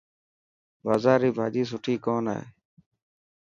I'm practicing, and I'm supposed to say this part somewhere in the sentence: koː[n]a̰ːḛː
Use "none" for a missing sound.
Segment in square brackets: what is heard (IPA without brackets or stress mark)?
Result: n